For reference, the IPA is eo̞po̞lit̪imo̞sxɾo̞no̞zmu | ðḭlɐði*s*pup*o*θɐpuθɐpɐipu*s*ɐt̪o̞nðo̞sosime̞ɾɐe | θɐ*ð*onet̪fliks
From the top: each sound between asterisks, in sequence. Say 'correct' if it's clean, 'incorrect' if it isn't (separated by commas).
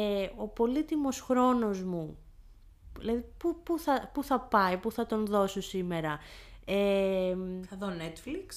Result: incorrect, incorrect, incorrect, correct